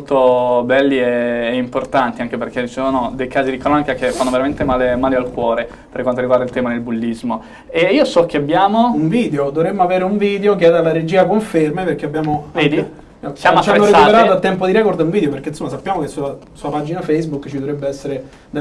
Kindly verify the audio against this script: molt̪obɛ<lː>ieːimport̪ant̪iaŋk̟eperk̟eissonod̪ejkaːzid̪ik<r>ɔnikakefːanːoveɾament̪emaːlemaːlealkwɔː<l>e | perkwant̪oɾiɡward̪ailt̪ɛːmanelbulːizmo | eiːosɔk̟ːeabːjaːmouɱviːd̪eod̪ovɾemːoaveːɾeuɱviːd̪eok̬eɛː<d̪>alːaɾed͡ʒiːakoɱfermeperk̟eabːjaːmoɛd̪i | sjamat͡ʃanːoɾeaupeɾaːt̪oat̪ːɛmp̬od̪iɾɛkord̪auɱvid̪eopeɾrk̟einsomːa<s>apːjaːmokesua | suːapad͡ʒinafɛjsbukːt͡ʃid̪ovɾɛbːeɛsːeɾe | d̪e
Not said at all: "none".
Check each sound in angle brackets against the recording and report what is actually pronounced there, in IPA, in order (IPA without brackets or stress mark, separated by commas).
lː, ɾ, ɾ, d̪, s